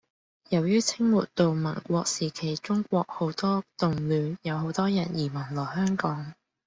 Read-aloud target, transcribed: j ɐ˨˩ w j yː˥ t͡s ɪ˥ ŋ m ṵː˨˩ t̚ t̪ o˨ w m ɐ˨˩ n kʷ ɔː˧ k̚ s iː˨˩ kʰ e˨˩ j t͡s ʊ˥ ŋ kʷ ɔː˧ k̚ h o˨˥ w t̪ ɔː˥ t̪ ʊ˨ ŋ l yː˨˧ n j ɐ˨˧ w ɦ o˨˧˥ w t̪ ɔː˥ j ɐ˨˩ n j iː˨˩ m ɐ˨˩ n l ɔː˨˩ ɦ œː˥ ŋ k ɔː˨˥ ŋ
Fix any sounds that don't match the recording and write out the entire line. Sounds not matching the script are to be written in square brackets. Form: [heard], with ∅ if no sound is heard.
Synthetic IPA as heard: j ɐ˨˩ w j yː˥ [t͡sʰ] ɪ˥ ŋ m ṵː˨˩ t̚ t̪ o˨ w m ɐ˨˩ n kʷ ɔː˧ k̚ s iː˨˩ kʰ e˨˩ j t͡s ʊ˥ ŋ kʷ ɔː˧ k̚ h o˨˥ w t̪ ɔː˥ t̪ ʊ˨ ŋ l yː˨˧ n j ɐ˨˧ w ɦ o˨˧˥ w t̪ ɔː˥ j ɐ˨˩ n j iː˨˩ m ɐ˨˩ n l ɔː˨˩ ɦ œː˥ ŋ k ɔː˨˥ ŋ